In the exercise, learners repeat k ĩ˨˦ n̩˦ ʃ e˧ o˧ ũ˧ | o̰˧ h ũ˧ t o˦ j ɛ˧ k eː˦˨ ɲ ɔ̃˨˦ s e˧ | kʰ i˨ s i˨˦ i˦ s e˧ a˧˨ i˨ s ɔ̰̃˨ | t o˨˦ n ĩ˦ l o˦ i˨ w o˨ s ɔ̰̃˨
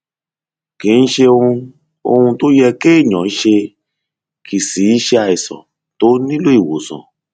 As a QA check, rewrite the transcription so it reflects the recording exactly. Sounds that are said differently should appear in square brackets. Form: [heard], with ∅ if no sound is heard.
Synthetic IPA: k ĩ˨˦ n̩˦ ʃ e˧ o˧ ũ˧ | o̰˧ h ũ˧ t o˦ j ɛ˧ k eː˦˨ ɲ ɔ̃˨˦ [ʃ] e˧ | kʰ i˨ s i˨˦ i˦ [ʃ] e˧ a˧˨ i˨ s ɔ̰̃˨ | t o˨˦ n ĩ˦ l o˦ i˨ w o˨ s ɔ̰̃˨